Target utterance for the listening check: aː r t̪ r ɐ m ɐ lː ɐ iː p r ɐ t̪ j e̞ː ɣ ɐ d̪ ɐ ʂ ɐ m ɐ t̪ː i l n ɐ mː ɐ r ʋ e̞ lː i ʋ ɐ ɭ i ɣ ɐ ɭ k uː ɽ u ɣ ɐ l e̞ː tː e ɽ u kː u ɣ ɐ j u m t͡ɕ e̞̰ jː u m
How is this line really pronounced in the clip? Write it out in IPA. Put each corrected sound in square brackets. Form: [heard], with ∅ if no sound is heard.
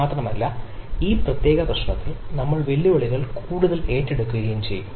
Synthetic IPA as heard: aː [∅] t̪ r ɐ m ɐ lː ɐ iː p r ɐ t̪ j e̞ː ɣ ɐ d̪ ɐ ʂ ɐ [ɳ] ɐ t̪ː i l n ɐ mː ɐ [ɭ] ʋ e̞ lː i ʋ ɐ ɭ i ɣ ɐ ɭ k uː ɽ u [ð] ɐ l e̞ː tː e ɽ u kː u ɣ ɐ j u m t͡ɕ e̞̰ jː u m

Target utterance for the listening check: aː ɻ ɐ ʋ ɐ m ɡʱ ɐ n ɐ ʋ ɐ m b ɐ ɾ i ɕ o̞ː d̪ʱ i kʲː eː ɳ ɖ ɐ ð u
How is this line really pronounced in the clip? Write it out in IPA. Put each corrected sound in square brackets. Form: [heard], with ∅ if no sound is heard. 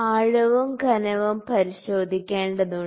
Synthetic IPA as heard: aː ɻ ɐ ʋ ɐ m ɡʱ ɐ n ɐ ʋ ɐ m [p] ɐ ɾ i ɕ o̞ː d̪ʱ i kʲː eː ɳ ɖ ɐ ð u

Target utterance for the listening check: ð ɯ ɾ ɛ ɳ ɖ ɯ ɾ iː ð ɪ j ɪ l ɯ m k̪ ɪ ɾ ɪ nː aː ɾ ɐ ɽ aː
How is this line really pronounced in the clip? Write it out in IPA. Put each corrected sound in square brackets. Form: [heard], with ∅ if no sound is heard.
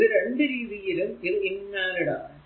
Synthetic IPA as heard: ð ɯ ɾ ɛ ɳ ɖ ɯ ɾ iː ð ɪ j ɪ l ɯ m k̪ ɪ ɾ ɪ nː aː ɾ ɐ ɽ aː

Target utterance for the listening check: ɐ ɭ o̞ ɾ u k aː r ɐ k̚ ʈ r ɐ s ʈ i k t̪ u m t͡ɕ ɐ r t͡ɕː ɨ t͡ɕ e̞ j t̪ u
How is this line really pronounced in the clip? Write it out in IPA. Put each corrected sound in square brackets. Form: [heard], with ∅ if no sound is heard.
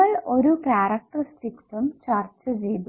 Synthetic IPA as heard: ɐ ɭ o̞ ɾ u k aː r ɐ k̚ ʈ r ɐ s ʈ i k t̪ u m t͡ɕ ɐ r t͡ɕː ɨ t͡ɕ e̞ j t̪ u

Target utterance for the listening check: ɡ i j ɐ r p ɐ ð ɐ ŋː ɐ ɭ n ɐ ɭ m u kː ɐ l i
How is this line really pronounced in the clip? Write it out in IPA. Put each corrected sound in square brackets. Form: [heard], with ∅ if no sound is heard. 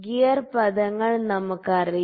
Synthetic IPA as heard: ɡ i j ɐ r p ɐ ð ɐ ŋː ɐ ɭ n ɐ [∅] m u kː ɐ [r] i

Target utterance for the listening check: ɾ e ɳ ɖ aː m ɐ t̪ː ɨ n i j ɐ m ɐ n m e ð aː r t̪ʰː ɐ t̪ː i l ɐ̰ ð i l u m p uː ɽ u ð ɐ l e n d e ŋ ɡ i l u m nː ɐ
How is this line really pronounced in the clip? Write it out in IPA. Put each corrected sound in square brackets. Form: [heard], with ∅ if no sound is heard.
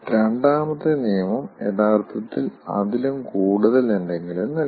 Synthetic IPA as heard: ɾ e ɳ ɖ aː m ɐ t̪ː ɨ n i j ɐ m ɐ [∅] m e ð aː r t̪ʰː ɐ t̪ː i l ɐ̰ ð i l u m [k] uː ɽ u ð ɐ l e n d e ŋ ɡ i l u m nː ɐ

